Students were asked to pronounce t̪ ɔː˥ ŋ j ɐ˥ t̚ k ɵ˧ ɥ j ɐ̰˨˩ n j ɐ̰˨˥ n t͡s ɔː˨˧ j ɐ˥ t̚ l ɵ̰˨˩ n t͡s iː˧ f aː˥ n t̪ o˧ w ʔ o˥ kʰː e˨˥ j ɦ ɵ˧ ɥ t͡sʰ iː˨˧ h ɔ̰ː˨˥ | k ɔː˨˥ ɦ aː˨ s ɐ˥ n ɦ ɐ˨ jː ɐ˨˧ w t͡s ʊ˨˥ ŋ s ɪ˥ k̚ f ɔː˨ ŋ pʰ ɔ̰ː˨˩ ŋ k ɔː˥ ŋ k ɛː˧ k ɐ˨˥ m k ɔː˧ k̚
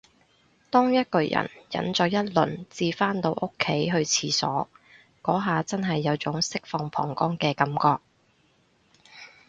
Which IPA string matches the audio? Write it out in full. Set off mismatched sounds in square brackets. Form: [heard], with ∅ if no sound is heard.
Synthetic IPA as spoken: t̪ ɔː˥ ŋ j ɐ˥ t̚ k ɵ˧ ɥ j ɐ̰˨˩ n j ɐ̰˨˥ n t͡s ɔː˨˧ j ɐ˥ t̚ l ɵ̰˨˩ n t͡s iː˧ f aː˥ n t̪ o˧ w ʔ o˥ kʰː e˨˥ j ɦ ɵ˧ ɥ t͡sʰ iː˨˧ [s] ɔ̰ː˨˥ | k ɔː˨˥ ɦ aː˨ [t͡s] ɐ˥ n ɦ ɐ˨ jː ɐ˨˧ w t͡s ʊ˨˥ ŋ s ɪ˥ k̚ f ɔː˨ ŋ pʰ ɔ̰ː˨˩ ŋ k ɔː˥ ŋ k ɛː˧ k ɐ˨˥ m k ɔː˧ k̚